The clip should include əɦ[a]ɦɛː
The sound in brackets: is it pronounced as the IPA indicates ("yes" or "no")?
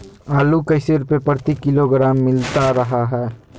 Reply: yes